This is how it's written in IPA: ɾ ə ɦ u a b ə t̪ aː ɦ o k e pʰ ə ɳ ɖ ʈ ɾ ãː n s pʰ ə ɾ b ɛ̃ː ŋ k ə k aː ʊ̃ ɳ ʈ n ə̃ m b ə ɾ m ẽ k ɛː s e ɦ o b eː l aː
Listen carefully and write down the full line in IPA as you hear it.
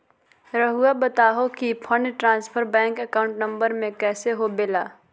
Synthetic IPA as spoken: ɾ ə ɦ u a b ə t̪ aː ɦ o k i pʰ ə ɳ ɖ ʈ ɾ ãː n s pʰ ə ɾ b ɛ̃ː ŋ k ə k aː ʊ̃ ɳ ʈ n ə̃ m b ə ɾ m ẽ k ɛː s e ɦ o b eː l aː